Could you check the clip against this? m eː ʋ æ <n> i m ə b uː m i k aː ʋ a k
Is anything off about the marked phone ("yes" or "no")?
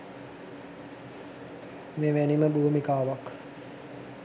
no